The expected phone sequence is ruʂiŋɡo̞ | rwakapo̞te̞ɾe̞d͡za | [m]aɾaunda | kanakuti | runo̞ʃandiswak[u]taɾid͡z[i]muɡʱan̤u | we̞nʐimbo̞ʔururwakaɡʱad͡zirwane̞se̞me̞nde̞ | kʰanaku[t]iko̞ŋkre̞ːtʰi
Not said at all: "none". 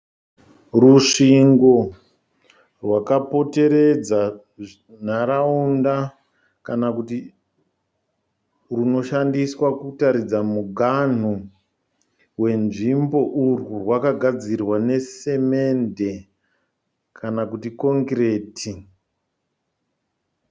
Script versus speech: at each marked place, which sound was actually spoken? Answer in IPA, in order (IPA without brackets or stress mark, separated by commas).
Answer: n, u, a, t